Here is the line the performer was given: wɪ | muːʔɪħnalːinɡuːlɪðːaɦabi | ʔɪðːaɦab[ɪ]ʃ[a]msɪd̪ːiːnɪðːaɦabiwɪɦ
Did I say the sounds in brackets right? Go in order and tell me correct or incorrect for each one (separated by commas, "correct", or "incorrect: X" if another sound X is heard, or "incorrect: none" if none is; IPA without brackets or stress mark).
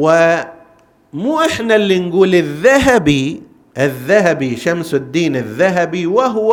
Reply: incorrect: i, correct